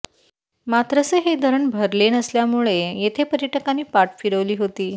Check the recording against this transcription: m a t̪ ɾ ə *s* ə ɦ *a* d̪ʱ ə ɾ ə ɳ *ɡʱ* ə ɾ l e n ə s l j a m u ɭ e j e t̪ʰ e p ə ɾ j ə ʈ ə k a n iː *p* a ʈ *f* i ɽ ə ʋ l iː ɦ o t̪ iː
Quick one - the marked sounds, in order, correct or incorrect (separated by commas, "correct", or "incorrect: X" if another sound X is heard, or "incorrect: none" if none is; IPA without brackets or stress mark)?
correct, incorrect: e, incorrect: bʱ, correct, correct